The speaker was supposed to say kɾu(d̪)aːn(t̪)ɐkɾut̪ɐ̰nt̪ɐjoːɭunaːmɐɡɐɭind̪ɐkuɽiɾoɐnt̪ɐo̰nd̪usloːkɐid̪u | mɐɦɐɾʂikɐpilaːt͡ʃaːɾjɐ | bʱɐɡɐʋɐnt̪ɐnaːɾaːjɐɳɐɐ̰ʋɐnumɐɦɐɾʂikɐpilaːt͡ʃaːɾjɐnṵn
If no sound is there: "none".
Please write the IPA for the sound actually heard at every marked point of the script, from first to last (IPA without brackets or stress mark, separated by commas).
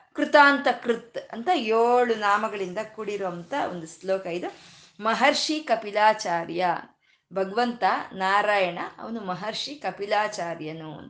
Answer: t̪, t̪